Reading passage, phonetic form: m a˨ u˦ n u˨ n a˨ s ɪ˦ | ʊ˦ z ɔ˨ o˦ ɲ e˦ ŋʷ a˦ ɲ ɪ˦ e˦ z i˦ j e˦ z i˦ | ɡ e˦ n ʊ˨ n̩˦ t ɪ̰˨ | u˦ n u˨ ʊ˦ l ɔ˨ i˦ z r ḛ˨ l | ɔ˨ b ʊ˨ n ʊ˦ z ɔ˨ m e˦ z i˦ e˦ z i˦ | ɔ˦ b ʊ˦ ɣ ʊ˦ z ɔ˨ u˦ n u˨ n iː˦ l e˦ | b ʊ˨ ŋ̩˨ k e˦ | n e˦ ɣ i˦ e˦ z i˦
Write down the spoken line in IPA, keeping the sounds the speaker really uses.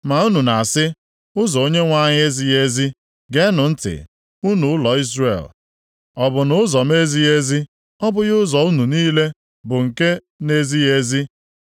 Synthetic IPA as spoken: m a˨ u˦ n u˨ n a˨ s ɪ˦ | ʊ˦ z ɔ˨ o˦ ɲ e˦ ŋʷ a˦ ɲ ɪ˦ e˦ z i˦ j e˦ z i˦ | ɡ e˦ n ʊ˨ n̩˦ t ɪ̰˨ | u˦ n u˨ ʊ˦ l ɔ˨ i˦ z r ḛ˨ l | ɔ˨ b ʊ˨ n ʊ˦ z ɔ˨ m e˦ z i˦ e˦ z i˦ | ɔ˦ b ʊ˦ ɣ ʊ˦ z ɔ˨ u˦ n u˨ n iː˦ l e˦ | b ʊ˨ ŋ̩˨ k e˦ | n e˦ z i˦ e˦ z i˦